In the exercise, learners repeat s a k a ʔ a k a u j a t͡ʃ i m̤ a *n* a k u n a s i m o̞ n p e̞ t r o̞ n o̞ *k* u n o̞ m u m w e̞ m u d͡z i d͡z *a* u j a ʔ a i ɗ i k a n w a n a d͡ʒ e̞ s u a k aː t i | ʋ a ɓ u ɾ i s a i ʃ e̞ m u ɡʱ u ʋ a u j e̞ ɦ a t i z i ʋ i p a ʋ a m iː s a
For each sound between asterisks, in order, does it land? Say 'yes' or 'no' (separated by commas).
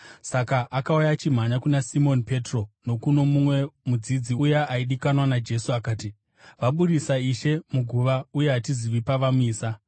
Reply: no, yes, no